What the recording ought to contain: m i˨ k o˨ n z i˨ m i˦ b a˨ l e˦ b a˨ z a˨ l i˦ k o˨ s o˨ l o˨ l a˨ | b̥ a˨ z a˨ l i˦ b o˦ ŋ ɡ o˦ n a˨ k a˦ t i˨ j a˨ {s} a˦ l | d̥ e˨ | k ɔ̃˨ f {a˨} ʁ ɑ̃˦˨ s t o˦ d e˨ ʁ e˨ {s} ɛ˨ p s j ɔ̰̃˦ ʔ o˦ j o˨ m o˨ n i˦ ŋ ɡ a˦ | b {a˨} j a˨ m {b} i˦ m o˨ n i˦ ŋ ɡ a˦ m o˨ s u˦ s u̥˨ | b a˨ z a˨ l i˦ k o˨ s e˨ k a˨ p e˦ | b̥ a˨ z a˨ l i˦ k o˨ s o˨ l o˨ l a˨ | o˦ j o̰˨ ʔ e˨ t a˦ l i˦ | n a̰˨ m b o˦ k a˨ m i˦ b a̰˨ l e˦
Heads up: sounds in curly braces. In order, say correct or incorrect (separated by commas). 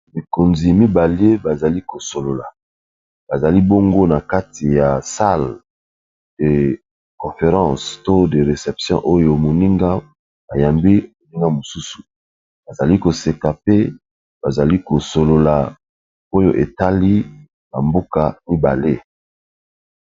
correct, incorrect, correct, correct, correct